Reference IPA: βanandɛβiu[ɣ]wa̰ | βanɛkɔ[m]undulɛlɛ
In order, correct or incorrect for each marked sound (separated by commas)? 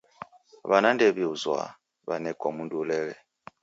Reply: incorrect, correct